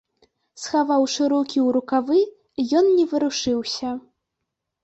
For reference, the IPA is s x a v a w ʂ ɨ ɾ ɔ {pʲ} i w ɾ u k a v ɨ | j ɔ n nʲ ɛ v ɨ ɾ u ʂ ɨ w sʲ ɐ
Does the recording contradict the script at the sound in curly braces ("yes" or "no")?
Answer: yes